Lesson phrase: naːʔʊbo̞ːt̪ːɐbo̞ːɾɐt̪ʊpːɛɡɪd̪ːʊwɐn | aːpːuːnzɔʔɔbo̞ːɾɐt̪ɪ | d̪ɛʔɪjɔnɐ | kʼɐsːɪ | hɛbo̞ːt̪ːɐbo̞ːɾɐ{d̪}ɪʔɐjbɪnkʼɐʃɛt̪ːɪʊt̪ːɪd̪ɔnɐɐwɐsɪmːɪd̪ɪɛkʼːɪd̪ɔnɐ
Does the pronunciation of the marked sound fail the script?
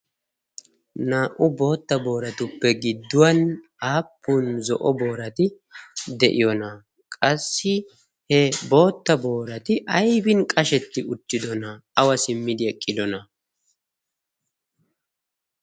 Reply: yes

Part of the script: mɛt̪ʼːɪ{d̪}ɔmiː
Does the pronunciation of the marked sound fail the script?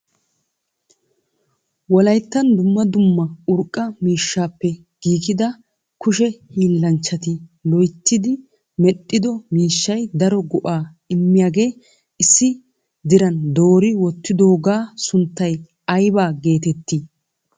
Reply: no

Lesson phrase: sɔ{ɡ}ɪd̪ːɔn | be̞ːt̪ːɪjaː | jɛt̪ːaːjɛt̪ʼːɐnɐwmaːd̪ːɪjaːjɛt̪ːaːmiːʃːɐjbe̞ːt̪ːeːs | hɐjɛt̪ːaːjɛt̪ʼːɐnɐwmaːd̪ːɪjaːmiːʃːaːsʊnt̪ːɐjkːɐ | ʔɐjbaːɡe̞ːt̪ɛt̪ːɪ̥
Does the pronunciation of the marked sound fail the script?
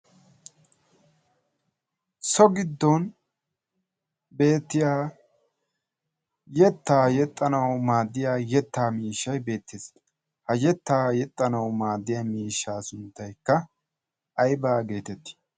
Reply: no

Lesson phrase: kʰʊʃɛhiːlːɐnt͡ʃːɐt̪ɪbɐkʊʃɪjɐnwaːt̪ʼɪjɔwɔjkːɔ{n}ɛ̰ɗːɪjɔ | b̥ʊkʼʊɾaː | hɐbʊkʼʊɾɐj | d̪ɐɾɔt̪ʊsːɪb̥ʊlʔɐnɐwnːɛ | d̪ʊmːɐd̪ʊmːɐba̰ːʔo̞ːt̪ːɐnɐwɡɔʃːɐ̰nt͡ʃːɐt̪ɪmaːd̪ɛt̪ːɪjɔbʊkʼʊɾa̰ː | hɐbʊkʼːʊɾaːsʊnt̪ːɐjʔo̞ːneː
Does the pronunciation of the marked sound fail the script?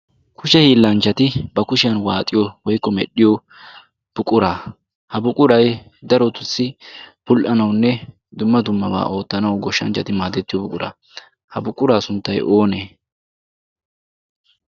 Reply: yes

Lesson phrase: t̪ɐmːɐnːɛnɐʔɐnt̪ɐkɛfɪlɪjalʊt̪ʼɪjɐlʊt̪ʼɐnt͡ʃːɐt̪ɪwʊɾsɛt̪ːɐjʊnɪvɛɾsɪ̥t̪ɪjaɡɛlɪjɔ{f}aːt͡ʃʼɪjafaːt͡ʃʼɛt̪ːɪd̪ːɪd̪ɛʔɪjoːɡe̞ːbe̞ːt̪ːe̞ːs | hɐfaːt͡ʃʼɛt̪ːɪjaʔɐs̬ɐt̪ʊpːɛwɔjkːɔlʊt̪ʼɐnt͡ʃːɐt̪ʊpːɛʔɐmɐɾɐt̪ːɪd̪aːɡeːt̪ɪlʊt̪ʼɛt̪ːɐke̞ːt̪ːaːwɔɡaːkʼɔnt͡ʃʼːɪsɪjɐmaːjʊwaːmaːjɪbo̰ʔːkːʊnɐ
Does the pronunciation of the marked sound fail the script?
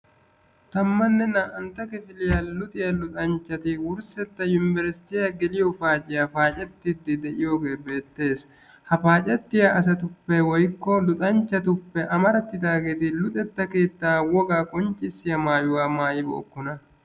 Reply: no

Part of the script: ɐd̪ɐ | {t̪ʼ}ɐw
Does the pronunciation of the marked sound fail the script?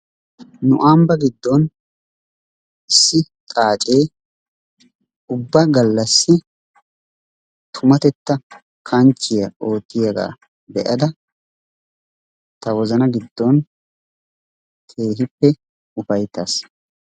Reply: yes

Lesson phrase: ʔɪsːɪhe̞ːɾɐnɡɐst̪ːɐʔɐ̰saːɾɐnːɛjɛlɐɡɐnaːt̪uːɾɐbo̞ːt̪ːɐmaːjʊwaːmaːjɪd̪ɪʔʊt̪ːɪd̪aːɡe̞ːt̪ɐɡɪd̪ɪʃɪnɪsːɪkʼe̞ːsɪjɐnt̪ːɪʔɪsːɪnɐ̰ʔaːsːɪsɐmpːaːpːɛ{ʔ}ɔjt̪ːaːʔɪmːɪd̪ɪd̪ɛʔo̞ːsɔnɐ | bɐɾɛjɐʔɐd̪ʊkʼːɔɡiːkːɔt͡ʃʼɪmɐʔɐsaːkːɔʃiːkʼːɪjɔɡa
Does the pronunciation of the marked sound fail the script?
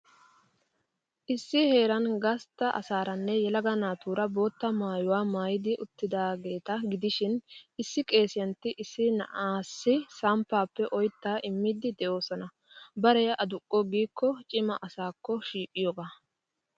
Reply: no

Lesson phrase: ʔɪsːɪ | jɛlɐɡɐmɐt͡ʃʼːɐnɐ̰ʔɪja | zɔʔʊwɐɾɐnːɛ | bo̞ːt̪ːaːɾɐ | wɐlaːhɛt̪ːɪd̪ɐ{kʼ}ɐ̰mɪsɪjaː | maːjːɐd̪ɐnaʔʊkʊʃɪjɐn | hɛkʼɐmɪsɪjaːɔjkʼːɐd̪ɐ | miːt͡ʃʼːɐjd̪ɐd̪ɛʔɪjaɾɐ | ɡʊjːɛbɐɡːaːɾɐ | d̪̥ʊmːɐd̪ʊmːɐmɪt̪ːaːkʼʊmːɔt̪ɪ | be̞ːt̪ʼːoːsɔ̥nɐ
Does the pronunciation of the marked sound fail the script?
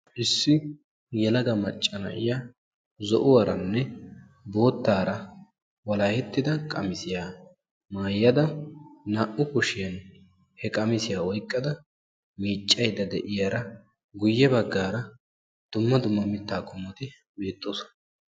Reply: no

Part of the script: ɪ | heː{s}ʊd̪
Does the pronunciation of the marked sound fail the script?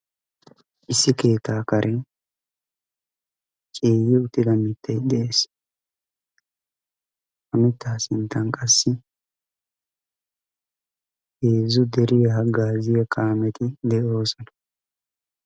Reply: yes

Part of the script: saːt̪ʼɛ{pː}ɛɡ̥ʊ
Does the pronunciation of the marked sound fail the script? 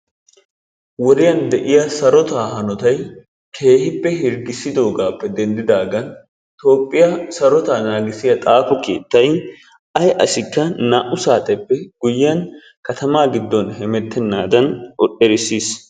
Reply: no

